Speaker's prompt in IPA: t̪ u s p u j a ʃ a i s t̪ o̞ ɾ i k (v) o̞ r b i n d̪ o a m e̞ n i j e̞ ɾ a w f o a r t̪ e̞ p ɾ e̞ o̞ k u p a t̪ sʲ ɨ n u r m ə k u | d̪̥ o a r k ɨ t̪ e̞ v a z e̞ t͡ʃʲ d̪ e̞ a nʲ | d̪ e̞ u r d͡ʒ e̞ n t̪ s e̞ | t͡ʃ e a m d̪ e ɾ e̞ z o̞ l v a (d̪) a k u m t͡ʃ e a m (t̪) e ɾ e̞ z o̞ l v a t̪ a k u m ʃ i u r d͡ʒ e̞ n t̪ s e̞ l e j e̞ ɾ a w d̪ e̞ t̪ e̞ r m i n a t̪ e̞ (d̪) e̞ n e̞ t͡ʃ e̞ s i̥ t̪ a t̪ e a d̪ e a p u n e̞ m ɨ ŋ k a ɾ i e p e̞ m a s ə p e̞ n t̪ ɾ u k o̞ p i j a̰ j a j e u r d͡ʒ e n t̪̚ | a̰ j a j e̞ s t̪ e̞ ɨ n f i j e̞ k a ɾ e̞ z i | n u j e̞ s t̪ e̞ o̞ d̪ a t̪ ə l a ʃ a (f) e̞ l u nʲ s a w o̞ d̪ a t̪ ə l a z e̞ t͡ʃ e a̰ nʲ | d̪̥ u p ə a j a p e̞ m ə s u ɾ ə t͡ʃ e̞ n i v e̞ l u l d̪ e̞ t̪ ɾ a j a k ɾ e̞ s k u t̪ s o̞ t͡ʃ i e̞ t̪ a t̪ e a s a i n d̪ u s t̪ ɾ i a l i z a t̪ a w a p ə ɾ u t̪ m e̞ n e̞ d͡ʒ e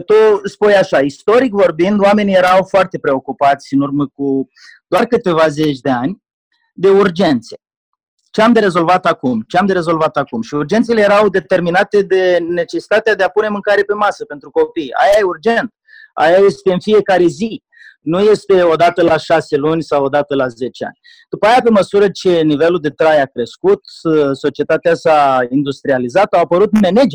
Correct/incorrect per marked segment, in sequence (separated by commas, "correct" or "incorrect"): correct, incorrect, incorrect, correct, incorrect